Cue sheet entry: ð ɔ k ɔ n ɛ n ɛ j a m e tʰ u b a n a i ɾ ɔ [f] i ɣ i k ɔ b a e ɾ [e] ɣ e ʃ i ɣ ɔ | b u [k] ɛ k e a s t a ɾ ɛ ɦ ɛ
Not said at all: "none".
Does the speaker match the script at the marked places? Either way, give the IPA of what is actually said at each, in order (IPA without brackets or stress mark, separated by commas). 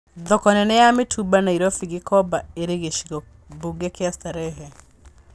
f, e, ɡ